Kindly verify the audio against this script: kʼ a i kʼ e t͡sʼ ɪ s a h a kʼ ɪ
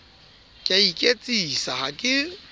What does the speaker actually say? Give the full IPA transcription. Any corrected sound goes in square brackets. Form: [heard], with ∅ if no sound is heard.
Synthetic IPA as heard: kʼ a i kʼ e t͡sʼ [i] s a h a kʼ ɪ